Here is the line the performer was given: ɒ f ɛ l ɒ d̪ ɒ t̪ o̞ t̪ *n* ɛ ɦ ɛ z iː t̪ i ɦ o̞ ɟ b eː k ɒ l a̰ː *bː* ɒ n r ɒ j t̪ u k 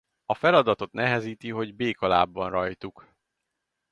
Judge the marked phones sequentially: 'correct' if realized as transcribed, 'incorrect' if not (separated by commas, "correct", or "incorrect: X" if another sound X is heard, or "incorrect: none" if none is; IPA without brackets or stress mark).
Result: correct, correct